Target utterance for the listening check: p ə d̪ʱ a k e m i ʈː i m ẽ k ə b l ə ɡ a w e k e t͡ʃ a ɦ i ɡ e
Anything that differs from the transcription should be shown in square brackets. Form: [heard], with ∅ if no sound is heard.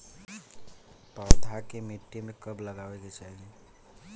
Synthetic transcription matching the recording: p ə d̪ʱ a k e m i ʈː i m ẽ k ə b l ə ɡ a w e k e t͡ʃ a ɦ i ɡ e